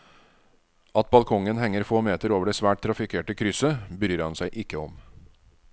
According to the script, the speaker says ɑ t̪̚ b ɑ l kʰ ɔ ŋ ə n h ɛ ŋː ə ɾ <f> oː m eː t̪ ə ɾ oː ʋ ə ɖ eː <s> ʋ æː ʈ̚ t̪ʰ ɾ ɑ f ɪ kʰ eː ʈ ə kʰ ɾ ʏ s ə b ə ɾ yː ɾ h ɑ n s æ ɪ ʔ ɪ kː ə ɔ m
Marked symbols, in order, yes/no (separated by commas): yes, yes